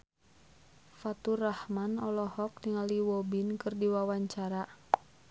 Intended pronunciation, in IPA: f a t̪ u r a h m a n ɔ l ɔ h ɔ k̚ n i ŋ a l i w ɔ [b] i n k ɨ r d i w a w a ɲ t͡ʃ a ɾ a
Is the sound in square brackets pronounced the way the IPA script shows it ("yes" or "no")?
yes